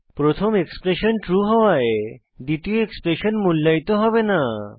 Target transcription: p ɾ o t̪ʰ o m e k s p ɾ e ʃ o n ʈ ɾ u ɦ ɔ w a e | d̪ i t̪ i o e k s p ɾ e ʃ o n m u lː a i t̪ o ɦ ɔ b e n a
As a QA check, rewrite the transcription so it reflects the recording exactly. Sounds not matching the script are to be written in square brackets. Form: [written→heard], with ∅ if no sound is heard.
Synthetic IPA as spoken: p ɾ o t̪ʰ o m e k s p ɾ e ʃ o n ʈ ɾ u ɦ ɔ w a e | d̪ i t̪ i o e k s p ɾ e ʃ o n m u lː a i t̪ o ɦ ɔ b e n a